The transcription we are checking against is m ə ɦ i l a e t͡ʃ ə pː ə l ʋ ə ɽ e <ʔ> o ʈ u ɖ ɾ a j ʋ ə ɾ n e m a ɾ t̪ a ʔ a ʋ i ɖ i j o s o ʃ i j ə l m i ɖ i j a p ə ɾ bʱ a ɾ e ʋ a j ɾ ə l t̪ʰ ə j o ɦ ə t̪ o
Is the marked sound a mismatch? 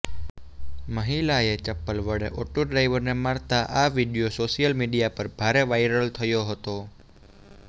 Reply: no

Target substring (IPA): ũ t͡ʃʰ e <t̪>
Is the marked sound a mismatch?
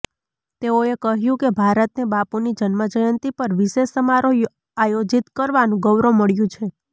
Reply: yes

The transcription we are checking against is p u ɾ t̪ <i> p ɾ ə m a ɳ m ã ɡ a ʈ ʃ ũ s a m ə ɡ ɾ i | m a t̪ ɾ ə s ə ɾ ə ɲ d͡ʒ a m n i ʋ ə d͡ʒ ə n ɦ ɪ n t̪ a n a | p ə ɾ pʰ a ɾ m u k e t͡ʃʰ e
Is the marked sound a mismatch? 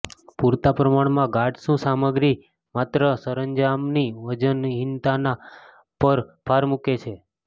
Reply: yes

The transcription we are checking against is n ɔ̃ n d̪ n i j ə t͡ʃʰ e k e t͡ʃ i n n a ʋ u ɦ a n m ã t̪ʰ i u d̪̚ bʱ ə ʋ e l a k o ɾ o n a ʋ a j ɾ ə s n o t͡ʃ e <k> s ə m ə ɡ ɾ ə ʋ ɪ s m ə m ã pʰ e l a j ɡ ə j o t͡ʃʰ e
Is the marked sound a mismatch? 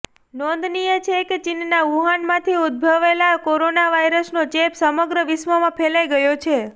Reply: yes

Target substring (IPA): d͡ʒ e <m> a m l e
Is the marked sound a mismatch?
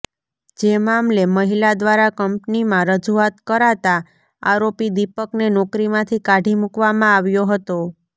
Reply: no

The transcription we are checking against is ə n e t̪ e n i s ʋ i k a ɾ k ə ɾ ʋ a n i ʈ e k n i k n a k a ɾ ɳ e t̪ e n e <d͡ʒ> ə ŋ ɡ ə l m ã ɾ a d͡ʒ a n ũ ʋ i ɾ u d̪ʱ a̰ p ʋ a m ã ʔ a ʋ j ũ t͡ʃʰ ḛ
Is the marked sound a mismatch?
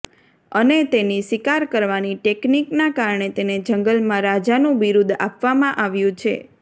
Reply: no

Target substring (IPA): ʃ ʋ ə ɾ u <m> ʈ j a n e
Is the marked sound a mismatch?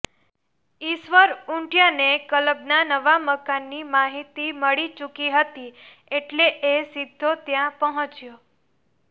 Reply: yes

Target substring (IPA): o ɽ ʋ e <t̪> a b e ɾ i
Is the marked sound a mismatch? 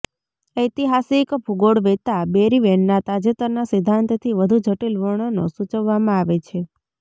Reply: no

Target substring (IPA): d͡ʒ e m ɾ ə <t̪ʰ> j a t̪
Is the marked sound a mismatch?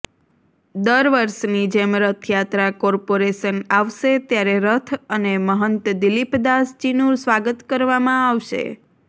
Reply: no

